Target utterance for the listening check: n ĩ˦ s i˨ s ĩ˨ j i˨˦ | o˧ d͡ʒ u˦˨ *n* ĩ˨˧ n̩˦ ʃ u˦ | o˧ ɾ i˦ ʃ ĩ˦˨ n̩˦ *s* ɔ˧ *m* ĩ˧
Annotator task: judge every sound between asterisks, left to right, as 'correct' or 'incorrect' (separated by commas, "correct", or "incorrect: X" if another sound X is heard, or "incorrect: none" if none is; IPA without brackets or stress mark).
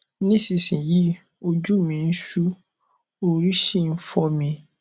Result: incorrect: m, incorrect: f, correct